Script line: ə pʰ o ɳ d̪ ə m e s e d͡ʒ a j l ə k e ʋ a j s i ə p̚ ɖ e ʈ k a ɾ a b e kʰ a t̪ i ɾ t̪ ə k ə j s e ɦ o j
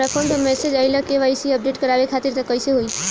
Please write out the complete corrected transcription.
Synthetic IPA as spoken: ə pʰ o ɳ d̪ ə m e s e d͡ʒ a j l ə k e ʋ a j s i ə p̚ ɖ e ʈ k ə ɾ a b e kʰ a t̪ i ɾ t̪ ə k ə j s e ɦ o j